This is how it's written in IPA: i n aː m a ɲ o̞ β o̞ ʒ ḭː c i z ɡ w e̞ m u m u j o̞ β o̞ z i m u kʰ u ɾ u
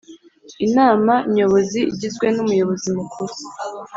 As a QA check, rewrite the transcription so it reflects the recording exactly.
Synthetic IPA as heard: i n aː m a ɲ o̞ β o̞ z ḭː ɟ i z ɡ w e̞ n u m u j o̞ β o̞ z i m u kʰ u ɾ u